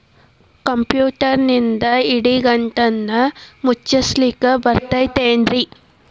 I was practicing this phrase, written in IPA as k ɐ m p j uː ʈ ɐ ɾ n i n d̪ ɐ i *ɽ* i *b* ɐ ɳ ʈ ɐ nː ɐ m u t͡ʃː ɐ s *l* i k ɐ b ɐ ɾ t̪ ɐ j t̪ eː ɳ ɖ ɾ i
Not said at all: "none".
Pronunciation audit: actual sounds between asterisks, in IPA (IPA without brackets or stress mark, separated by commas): ɽ, ɡ, l